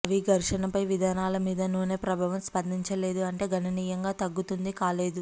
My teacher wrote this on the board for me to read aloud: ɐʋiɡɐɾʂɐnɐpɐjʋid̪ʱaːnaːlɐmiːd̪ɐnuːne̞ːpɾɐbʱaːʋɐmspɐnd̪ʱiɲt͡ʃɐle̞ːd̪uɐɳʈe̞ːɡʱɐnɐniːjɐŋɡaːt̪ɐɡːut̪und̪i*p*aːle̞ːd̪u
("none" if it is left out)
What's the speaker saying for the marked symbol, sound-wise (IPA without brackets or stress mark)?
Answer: k